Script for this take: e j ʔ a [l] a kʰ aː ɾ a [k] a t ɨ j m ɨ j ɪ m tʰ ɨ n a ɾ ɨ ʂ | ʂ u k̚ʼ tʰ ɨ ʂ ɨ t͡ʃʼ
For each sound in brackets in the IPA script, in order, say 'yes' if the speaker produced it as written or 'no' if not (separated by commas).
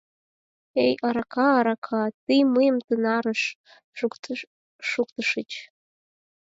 no, no